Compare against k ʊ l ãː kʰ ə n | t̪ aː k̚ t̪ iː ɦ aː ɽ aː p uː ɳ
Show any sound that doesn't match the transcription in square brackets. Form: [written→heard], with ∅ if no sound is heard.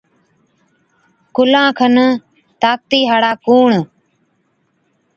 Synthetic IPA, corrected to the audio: k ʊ l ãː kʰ ə n | t̪ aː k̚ t̪ iː ɦ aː ɽ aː [p→k] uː ɳ